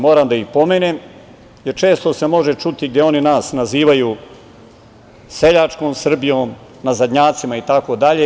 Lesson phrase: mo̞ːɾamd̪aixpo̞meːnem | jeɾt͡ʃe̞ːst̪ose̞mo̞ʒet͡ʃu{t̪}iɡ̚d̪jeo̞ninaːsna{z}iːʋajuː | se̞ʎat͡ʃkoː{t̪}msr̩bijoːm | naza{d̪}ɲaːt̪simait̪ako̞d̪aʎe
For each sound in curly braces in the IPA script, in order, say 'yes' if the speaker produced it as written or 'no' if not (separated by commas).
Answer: yes, yes, no, yes